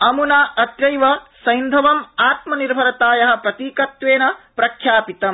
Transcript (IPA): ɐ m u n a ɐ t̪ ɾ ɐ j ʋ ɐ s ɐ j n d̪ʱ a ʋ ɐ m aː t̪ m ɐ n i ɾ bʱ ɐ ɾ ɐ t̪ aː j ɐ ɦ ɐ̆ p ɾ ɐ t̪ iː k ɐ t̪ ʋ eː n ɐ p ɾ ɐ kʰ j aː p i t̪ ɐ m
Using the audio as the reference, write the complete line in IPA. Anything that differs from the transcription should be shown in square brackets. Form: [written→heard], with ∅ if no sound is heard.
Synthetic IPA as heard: ɐ m u n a ɐ t̪ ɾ ɐ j ʋ ɐ s ɐ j n d̪ʱ [a→ɐ] ʋ ɐ m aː t̪ m ɐ n i ɾ bʱ ɐ ɾ ɐ t̪ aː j ɐ ɦ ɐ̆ p ɾ ɐ t̪ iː k ɐ t̪ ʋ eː n ɐ p ɾ ɐ kʰ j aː p i t̪ ɐ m